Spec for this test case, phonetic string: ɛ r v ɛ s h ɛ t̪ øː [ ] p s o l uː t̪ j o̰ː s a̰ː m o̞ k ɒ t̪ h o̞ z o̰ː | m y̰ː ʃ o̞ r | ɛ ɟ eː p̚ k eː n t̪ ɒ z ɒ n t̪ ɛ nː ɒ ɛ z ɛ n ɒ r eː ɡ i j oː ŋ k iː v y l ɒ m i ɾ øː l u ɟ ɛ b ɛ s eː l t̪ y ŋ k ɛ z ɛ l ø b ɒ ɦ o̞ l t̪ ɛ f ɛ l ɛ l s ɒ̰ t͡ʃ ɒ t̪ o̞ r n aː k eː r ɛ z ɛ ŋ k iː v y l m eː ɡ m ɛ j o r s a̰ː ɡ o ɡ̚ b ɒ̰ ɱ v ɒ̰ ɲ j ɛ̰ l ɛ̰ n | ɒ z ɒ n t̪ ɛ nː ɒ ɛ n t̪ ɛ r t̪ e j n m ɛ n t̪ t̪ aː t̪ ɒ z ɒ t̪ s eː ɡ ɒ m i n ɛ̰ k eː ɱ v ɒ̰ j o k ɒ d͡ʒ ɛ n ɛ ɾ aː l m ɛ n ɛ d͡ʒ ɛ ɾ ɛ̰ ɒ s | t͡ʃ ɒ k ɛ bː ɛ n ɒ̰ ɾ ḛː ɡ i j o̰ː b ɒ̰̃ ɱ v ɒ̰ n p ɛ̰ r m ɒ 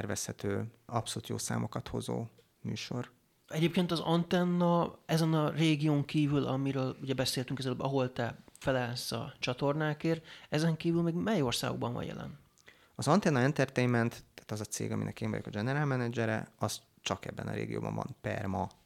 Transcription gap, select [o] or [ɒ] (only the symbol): ɒ